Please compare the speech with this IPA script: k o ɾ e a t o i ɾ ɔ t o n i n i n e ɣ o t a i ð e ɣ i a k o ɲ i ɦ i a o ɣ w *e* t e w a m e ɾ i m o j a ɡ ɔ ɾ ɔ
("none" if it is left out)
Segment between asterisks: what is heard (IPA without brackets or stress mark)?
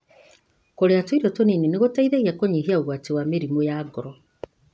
a